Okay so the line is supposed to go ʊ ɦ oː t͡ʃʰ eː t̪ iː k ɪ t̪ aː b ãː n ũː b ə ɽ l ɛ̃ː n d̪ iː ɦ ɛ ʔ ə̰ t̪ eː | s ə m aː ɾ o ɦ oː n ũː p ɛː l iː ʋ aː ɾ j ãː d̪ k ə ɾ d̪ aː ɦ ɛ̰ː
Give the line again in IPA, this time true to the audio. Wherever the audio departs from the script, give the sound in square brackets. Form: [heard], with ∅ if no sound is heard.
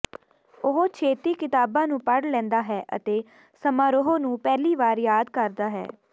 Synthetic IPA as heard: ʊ ɦ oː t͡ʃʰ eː t̪ iː k ɪ t̪ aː b ãː n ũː [p] ə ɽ l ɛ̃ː n d̪ [aː] ɦ [ɛː] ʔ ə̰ t̪ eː | s ə m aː ɾ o ɦ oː n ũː p ɛː l iː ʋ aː ɾ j [aː] d̪ k ə ɾ d̪ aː ɦ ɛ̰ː